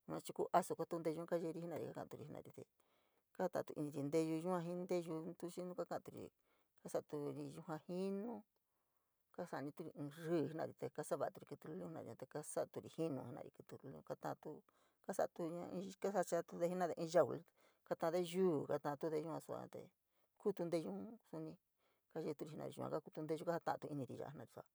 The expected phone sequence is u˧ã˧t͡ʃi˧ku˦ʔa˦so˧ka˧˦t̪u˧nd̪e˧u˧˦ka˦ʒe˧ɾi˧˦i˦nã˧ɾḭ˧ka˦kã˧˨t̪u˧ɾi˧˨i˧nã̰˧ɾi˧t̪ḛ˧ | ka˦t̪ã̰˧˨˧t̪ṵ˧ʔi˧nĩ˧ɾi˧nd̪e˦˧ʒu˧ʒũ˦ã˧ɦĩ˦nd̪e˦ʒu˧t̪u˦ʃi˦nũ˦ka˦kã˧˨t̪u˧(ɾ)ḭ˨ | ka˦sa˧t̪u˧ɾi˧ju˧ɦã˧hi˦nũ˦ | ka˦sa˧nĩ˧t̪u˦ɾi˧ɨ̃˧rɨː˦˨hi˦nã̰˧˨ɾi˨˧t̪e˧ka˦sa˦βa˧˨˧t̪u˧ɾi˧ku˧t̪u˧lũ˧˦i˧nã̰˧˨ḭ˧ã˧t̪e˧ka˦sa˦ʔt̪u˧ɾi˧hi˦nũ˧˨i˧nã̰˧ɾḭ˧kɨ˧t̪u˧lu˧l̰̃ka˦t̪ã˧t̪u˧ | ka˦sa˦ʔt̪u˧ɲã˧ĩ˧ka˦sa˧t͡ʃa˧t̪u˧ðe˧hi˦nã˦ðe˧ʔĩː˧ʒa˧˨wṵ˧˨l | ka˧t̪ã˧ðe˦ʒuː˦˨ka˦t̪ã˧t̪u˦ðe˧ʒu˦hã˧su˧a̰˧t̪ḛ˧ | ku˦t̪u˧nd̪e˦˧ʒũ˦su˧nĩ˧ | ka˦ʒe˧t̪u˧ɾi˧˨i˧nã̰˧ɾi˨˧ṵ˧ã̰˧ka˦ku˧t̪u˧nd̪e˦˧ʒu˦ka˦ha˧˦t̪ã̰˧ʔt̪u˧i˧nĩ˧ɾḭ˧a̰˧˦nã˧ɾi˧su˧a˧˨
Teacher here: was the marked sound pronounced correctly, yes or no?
yes